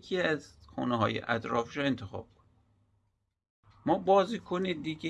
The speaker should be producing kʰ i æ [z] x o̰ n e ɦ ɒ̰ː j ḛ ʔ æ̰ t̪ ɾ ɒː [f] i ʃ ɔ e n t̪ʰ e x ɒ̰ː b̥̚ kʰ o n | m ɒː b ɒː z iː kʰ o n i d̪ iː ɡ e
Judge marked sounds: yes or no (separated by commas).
yes, yes